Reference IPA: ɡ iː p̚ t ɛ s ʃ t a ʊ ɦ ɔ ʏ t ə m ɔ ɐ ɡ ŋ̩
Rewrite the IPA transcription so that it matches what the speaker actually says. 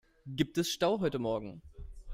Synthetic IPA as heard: ɡ iː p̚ t ɛ s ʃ t a ʊ ɦ ɔ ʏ t ə m ɔ ɐ ɡ ŋ̩